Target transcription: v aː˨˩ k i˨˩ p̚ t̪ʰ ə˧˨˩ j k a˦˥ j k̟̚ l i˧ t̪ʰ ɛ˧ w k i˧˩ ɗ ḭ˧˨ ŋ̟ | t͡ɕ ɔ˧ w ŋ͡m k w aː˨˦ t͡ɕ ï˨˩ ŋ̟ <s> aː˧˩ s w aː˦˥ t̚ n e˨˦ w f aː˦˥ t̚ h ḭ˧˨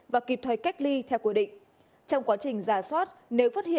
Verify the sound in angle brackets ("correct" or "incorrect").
incorrect